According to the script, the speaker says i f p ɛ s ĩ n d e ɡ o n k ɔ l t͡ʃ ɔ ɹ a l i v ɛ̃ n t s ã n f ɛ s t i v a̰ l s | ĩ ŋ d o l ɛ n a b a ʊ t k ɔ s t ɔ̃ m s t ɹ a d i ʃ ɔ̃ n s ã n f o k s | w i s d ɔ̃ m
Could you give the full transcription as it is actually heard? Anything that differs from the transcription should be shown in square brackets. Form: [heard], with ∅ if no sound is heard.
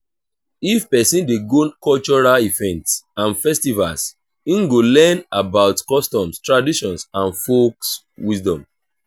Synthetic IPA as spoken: i f p ɛ s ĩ n d e ɡ o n k ɔ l t͡ʃ ɔ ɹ a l i v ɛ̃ n t s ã n f ɛ s t i v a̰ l s | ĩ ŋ [ɡ] o l ɛ n a b a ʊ t k ɔ s t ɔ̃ m s t ɹ a d i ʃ ɔ̃ n s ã n f o k s | w i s d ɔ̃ m